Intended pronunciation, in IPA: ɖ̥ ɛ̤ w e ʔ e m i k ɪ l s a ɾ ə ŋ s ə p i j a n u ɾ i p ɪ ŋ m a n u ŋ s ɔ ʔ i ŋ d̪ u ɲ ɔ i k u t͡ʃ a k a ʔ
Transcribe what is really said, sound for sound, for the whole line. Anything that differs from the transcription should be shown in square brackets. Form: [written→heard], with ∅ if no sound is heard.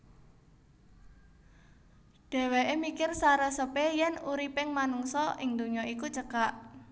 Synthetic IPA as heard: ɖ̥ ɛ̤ w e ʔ e m i k ɪ [l→r] s a ɾ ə [ŋ→∅] s ə p [i→e] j [a→ɛ] n u ɾ i p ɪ ŋ m a n u ŋ s ɔ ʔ [i→ɪ] ŋ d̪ u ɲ ɔ i k u t͡ʃ [a→ə] k a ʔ